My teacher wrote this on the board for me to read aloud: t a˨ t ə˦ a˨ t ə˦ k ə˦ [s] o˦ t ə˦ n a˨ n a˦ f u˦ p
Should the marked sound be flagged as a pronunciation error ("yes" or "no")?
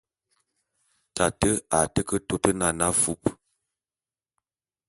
yes